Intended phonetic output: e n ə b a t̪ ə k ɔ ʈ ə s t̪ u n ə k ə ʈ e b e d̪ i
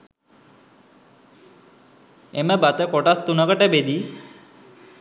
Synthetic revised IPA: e m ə b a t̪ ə k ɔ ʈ a s t̪ u n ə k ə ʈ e b e d̪ i